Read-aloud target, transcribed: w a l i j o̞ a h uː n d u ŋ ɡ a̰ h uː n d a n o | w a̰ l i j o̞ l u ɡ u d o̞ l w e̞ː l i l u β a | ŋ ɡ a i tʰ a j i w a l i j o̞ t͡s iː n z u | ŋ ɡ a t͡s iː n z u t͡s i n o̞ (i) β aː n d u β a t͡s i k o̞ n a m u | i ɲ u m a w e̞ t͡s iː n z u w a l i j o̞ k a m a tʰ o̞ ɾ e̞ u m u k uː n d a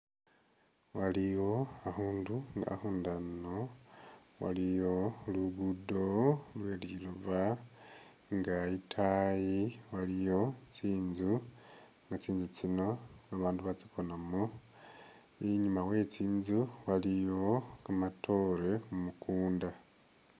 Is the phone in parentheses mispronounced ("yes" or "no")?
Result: yes